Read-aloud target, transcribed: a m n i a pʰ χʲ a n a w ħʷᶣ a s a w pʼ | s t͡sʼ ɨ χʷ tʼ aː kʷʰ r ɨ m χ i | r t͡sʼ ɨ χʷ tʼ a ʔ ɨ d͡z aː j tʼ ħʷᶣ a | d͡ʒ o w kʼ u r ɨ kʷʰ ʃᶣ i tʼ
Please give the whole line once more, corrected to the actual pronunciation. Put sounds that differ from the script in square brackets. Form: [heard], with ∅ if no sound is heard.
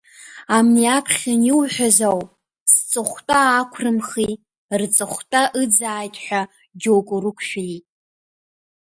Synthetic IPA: a m n i a pʰ χʲ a n [i] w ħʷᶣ a [z] a w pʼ | s t͡sʼ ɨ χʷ tʼ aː kʷʰ r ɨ m χ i | r t͡sʼ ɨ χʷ tʼ a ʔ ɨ d͡z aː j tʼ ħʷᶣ a | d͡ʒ o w kʼ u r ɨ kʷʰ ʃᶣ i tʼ